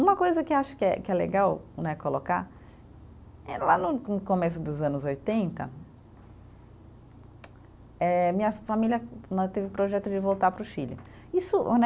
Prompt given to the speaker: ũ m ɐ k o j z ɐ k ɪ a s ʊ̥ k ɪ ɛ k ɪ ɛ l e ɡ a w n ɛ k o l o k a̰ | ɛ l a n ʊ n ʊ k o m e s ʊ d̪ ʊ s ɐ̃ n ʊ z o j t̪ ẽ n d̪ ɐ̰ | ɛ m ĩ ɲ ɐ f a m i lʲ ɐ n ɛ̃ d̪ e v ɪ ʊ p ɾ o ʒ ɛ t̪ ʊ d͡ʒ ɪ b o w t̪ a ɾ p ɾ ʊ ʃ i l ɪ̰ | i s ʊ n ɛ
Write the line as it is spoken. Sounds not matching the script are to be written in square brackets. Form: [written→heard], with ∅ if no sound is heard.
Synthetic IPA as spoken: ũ m ɐ k o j z ɐ k ɪ a [s→ʃ] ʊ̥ k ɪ ɛ k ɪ ɛ l e ɡ a w n ɛ k o l o k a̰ | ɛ l a n ʊ n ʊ k o m e s ʊ d̪ ʊ [s→z] ɐ̃ n ʊ z o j t̪ ẽ n [d̪→t̪] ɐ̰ | ɛ m ĩ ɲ ɐ f a m i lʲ ɐ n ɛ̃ [d̪→t̪] e v ɪ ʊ p ɾ o ʒ ɛ t̪ ʊ d͡ʒ ɪ [b→v] o w t̪ a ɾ p ɾ ʊ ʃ i l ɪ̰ | i s ʊ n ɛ